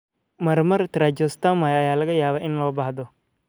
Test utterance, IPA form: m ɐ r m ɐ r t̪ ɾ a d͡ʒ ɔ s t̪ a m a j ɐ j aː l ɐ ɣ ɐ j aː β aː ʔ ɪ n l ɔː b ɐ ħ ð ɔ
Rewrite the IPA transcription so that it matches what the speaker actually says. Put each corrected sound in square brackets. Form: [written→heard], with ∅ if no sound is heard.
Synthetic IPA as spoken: m ɐ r m ɐ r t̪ ɾ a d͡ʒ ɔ s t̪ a m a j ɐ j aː l ɐ ɣ ɐ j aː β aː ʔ ɪ n l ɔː b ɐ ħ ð ɔ